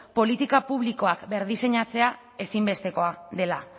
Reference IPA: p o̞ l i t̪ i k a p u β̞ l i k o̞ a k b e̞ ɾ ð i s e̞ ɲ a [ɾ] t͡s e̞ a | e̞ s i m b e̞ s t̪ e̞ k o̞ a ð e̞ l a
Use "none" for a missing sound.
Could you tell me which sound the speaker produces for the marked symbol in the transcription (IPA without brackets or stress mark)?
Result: none